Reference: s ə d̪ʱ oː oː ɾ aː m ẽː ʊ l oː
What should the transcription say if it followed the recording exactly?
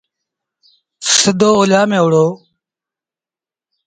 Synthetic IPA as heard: s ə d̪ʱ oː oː l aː m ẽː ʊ ɽ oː